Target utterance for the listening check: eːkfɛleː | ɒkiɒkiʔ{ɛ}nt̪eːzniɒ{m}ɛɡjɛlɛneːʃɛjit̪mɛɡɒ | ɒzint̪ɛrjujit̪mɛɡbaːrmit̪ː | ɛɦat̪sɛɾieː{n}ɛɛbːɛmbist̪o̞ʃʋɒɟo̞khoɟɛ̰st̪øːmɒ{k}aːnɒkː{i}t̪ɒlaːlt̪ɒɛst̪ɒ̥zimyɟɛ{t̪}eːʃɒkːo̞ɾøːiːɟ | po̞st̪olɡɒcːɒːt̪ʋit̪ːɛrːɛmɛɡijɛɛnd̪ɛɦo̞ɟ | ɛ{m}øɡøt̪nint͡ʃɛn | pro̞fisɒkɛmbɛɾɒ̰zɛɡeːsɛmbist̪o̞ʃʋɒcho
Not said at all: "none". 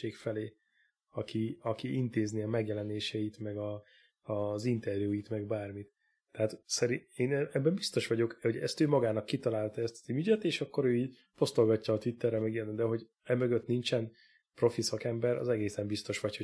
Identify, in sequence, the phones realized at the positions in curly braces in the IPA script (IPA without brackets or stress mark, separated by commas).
i, m, n, ɡ, i, t̪, m